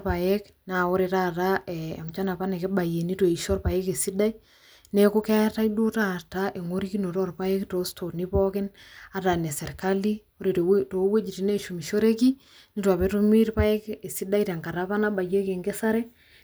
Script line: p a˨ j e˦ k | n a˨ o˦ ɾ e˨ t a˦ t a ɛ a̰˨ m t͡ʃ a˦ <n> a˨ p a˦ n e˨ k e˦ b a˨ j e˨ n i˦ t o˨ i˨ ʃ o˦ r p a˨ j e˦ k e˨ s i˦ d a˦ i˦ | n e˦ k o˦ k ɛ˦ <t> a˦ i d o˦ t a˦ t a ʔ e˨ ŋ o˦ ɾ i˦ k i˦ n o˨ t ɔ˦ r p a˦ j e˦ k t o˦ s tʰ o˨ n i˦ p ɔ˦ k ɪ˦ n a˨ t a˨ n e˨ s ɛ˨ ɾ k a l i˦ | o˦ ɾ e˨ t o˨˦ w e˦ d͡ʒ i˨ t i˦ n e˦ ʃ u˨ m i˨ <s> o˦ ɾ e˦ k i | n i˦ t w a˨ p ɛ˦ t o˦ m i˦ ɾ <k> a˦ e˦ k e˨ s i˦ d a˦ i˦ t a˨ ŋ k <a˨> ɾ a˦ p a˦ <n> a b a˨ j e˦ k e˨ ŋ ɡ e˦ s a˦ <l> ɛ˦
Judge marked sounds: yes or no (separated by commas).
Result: yes, yes, no, no, yes, yes, no